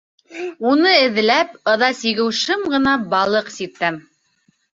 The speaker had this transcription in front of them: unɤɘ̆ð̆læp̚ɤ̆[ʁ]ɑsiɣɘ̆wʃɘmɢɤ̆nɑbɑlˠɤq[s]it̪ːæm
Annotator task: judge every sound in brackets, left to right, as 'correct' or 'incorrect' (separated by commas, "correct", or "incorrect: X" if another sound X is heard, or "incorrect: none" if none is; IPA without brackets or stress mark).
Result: incorrect: ð, correct